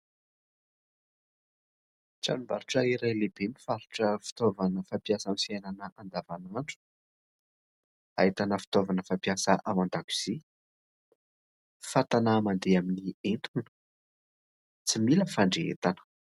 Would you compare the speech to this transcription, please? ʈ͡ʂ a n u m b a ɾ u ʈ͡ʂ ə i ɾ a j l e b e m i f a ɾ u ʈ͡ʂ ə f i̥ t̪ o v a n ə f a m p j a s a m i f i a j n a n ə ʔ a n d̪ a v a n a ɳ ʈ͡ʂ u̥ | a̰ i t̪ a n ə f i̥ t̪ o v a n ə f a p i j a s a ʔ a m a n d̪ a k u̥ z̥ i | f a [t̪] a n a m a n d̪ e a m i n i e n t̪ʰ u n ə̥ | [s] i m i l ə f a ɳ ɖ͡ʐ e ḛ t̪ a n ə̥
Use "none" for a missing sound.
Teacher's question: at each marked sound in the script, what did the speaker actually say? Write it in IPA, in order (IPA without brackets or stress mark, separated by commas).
t̪, t͡s